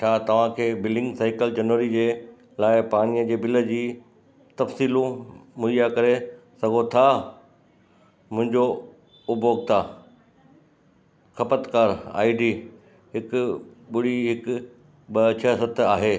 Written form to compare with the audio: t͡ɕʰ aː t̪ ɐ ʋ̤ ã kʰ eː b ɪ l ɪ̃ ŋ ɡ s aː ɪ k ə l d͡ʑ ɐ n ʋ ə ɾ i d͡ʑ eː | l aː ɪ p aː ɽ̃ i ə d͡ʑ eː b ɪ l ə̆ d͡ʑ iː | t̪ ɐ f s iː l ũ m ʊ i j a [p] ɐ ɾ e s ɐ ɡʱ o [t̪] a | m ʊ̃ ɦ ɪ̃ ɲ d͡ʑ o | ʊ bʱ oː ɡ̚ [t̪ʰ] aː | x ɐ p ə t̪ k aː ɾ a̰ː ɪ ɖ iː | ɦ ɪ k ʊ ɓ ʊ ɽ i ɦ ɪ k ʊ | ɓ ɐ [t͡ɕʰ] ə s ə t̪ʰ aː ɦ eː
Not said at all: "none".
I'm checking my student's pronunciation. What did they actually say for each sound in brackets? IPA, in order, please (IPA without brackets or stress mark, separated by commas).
k, t̪ʰ, t̪ʰ, t͡ɕʰ